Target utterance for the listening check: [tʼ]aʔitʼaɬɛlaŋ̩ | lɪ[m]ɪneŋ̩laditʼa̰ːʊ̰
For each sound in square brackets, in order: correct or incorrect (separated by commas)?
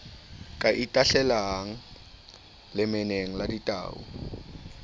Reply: incorrect, correct